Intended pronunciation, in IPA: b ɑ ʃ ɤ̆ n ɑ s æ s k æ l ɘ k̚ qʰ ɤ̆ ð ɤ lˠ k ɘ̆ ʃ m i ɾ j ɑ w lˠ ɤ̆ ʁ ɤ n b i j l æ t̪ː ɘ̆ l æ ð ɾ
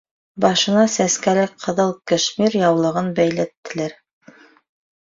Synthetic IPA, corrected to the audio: b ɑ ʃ ɤ̆ n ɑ s æ s k æ l ɘ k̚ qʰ ɤ̆ ð ɤ lˠ k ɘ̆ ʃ m i ɾ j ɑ w lˠ ɤ̆ ʁ ɤ n b æ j l æ t̪ː ɘ̆ l æ ɾ